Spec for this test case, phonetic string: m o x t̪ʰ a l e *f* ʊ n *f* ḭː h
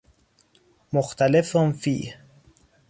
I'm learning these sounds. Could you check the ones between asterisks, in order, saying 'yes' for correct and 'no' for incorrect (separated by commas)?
yes, yes